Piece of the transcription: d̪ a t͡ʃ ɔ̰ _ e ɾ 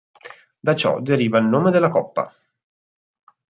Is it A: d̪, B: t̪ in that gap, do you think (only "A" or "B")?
A